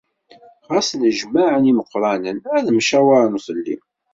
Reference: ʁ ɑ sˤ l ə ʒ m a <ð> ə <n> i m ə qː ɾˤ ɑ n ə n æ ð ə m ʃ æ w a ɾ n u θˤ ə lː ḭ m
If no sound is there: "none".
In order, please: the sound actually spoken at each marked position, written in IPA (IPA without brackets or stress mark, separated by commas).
ʕ, n